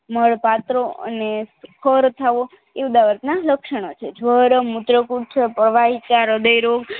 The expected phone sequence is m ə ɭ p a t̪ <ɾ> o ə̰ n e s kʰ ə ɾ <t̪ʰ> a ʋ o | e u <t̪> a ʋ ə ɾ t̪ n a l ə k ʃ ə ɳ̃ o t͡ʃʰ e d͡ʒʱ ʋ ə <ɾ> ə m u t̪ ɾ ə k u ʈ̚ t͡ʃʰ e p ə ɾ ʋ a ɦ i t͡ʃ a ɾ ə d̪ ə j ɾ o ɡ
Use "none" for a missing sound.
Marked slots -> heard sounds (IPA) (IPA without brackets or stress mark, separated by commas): ɾ, t̪ʰ, d̪, ɾ